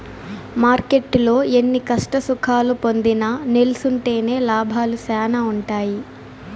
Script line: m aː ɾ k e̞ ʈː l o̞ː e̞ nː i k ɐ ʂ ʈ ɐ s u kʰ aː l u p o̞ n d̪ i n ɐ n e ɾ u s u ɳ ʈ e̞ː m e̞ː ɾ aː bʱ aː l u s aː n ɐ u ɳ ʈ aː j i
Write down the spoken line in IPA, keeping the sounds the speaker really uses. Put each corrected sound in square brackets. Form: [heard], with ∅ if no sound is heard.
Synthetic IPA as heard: m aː ɾ k e̞ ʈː l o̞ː e̞ nː i k ɐ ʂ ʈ ɐ s u kʰ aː l u p o̞ n d̪ i n ɐ n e [l] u s u ɳ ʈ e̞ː [n] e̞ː [l] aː bʱ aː l u s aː n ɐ u ɳ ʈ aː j i